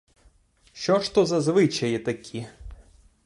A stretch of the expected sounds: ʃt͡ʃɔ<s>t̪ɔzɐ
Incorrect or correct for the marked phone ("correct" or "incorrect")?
incorrect